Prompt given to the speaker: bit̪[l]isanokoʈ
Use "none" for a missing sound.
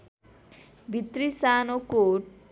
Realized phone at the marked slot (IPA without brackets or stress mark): ɾ